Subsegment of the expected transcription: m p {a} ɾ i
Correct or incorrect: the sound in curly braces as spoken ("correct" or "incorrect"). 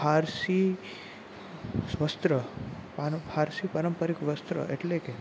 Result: incorrect